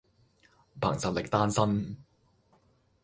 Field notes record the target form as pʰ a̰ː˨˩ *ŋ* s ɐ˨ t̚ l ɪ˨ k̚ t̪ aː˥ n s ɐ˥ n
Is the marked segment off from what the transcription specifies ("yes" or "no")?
no